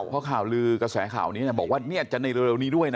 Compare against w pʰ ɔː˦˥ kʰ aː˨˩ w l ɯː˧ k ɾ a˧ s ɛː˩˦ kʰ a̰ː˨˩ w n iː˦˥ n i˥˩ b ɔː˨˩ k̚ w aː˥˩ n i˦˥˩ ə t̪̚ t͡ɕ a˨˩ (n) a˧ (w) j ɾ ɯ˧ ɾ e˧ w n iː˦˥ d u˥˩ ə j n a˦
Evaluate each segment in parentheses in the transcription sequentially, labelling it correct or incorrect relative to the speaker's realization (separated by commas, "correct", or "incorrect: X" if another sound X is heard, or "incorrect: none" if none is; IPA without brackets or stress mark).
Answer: correct, incorrect: none